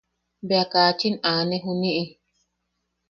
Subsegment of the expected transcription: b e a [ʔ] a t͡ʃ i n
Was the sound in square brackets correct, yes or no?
no